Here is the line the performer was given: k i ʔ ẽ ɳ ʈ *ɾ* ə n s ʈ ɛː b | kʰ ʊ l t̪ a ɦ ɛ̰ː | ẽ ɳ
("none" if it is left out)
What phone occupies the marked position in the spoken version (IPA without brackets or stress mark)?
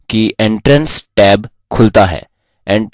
ɾ